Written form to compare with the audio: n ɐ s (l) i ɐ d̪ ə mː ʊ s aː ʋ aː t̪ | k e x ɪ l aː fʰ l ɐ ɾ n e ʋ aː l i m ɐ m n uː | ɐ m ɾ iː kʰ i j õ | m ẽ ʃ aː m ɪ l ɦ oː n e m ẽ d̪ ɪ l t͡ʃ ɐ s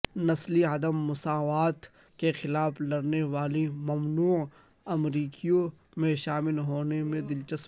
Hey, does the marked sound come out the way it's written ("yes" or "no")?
yes